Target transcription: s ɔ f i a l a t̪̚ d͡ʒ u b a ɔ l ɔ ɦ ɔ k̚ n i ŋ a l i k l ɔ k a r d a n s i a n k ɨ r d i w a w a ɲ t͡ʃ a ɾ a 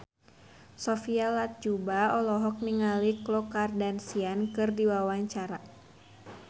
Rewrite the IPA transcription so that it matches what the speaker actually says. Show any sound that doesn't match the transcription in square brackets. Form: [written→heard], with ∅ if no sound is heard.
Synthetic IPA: s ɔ f i a l a t̪̚ d͡ʒ u b a ɔ l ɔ ɦ ɔ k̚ n i ŋ a l i k l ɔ k a r d a n s i a n k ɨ r d i w a w a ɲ t͡ʃ a ɾ a